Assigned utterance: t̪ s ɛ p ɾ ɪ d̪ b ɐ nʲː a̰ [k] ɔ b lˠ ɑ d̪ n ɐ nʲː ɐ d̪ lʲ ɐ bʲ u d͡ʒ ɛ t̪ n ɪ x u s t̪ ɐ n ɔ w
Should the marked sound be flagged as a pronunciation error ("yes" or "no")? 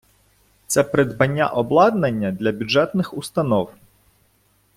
yes